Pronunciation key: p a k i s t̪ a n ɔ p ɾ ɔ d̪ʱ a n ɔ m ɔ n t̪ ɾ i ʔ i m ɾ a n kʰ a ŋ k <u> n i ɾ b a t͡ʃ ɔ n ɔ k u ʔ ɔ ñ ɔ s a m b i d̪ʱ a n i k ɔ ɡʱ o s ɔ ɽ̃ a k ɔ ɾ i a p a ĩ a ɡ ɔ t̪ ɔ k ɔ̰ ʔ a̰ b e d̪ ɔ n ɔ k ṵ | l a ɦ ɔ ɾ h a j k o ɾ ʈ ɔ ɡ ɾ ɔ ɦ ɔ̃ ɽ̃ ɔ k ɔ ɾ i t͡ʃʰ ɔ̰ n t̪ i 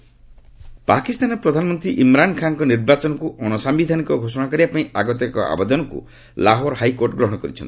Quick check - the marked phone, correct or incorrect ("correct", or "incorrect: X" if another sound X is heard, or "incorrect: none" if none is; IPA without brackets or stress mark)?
incorrect: ɔ